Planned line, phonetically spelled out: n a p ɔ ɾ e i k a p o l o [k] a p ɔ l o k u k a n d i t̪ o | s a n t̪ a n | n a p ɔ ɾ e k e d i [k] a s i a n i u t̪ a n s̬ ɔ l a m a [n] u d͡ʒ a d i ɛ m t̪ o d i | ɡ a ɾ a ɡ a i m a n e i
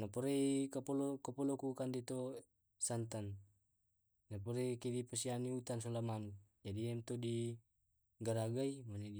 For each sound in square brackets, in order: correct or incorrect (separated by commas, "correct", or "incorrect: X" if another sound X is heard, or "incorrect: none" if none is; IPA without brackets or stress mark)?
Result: correct, incorrect: p, correct